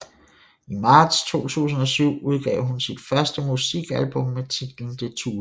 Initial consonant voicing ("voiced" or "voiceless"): voiced